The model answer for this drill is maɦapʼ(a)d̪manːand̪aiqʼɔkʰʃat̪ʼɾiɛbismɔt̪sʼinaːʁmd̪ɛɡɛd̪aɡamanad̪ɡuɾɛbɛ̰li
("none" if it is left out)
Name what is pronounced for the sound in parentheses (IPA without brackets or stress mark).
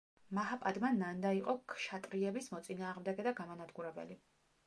a